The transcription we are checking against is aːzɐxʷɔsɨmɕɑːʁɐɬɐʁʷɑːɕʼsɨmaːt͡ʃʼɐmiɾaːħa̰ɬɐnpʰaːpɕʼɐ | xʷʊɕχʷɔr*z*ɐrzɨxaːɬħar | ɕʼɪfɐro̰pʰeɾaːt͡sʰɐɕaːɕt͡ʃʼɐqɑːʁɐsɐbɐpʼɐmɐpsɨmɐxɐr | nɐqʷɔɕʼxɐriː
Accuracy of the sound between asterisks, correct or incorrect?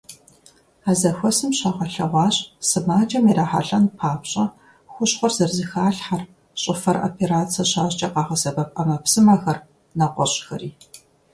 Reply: correct